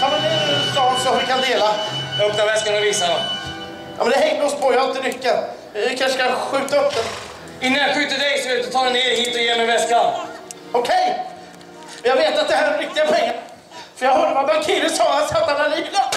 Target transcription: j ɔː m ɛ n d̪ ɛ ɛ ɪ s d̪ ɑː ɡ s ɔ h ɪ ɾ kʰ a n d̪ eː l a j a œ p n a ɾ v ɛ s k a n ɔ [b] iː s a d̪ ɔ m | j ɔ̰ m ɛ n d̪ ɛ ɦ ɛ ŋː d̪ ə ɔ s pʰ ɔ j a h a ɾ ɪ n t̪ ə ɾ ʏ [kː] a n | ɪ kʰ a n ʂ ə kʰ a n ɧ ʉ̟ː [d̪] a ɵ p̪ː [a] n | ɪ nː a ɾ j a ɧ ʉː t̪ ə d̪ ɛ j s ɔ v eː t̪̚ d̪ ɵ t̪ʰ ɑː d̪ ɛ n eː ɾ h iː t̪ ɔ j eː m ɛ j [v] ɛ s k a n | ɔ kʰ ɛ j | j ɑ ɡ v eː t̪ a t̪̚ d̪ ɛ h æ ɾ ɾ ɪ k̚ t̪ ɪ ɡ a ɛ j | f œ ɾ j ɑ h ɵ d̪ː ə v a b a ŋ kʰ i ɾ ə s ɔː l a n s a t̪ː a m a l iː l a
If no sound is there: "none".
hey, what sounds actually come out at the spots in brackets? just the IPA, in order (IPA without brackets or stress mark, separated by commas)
v, kː, t̪, ə, v